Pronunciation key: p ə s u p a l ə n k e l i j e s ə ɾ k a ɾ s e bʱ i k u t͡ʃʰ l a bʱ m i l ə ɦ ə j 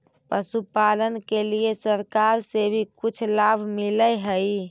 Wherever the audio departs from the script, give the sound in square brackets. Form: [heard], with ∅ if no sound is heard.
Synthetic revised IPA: p ə s u p a l ə n k e l i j e s ə ɾ k a ɾ s e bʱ i k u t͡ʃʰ l a bʱ m i l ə ɦ ə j

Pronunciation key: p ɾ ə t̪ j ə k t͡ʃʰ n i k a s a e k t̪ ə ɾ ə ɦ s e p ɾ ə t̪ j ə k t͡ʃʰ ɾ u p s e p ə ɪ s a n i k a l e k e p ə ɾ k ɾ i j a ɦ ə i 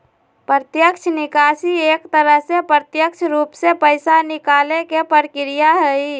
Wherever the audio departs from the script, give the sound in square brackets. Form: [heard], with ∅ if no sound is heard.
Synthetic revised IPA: p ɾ ə t̪ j ə k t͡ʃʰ n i k a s [i] e k t̪ ə ɾ ə ɦ s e p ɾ ə t̪ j ə k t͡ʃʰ ɾ u p s e p ə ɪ s a n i k a l e k e p ə ɾ k ɾ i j a ɦ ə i

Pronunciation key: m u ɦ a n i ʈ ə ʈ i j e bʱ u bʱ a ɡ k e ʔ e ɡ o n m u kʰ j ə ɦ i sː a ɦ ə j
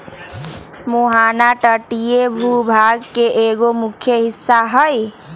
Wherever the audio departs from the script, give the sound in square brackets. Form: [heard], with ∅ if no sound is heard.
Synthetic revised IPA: m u ɦ a n [a] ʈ ə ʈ i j e bʱ u bʱ a ɡ k e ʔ e ɡ o [∅] m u kʰ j ə ɦ i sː a ɦ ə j

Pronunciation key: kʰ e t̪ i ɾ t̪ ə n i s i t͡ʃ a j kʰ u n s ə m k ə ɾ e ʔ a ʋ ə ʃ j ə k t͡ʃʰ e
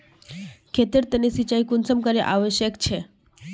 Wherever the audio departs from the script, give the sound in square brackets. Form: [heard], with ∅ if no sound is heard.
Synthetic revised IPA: kʰ e t̪ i ɾ t̪ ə n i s i t͡ʃ a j [k] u n s ə m k ə ɾ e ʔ a ʋ ə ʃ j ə k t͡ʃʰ e

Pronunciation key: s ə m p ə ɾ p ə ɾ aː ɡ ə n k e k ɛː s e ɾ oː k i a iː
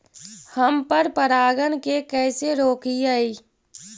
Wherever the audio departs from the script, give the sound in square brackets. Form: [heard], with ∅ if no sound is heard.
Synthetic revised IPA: [h] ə m p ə ɾ p ə ɾ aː ɡ ə n k e k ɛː s e ɾ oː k i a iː

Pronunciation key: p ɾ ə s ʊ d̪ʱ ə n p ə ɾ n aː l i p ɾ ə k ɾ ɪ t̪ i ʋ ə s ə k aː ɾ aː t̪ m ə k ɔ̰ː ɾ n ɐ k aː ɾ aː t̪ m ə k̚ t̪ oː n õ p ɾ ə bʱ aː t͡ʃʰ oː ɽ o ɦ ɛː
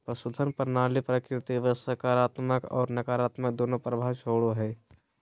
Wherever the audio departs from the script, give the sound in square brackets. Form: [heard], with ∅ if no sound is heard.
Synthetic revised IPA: p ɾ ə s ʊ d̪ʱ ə n p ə ɾ n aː l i p ɾ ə k ɾ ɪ t̪ i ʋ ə s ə k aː ɾ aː t̪ m ə k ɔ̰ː ɾ n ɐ k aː ɾ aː t̪ m ə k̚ [d̪] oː n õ p ɾ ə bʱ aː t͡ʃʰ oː ɽ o ɦ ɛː

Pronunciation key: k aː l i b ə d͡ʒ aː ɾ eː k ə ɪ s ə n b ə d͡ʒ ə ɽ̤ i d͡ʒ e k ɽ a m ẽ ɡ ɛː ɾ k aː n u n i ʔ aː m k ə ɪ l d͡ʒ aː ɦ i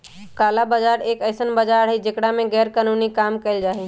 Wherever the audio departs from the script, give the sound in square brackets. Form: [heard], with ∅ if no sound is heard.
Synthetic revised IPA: k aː l [a] b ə d͡ʒ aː ɾ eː k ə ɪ s ə n b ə d͡ʒ [a] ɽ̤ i d͡ʒ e k ɽ a m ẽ ɡ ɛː ɾ k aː n u n i [k] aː m k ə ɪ l d͡ʒ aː ɦ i

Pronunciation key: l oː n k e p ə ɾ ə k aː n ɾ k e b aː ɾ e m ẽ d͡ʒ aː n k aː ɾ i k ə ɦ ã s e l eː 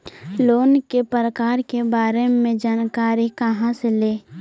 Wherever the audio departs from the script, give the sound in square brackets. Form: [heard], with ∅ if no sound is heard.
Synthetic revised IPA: l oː n k e p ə ɾ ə k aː [∅] ɾ k e b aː ɾ e m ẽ d͡ʒ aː n k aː ɾ i k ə ɦ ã s e l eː

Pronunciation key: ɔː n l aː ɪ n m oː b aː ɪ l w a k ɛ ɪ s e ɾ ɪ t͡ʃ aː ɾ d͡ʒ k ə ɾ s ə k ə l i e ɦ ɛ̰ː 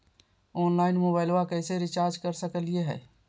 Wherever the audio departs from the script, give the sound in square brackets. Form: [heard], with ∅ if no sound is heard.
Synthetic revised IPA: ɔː n l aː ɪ n m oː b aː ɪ l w a k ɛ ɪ s e ɾ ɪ t͡ʃ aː ɾ d͡ʒ k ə ɾ s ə k ə l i e ɦ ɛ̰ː

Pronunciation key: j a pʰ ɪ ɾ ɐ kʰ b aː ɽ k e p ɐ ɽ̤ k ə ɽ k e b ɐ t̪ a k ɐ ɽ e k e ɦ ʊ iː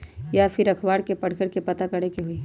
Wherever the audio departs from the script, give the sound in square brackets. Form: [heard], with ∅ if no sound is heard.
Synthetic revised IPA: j a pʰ ɪ ɾ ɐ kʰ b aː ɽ k e p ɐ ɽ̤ k ə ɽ k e [p] ɐ t̪ a k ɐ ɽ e k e ɦ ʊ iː

